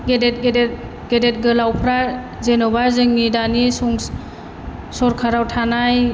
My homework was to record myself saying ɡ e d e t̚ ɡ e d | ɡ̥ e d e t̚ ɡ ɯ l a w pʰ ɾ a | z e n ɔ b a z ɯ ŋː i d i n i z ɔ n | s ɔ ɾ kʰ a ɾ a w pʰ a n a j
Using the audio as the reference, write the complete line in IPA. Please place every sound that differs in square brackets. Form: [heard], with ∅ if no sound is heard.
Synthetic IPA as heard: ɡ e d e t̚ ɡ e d | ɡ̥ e d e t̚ ɡ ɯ l a w pʰ ɾ a | z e n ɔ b a z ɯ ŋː i d [a] n i [s] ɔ [ŋ] | s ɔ ɾ kʰ a ɾ a w [tʰ] a n a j